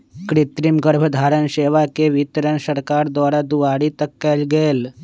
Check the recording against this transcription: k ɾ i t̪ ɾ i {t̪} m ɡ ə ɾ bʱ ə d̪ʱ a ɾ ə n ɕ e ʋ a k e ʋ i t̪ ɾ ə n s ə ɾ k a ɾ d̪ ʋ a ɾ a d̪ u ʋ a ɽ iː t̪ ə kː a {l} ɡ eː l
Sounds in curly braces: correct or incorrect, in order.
incorrect, correct

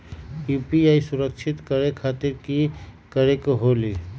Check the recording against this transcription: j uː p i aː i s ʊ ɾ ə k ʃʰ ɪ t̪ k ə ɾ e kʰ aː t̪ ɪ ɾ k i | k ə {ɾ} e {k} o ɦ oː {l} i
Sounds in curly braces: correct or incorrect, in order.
correct, correct, correct

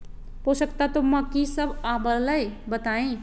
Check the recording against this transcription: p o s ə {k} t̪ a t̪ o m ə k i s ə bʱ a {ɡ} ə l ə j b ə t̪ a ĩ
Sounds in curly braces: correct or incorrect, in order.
correct, incorrect

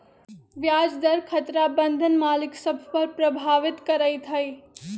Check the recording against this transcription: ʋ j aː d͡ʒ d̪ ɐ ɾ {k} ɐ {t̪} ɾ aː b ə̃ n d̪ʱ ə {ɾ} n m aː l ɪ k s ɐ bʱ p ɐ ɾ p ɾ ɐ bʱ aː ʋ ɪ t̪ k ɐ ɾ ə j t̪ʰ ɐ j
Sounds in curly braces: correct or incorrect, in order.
incorrect, correct, incorrect

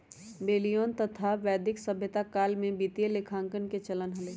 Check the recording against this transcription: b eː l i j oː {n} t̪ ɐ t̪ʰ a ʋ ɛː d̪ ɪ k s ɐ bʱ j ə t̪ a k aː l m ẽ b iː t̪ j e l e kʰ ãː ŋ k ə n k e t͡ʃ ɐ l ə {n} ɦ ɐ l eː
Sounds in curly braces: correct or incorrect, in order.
correct, correct

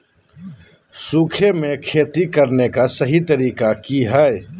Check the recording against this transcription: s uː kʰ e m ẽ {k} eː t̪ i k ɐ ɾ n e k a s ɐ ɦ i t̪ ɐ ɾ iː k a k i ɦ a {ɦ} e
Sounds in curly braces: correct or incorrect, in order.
incorrect, incorrect

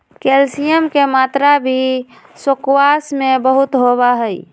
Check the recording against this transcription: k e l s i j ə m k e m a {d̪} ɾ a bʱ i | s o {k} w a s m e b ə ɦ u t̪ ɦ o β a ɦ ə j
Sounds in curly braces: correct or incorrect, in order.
incorrect, correct

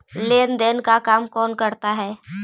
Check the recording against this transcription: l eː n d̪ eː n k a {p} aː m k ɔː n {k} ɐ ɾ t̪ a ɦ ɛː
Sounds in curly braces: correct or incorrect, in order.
incorrect, correct

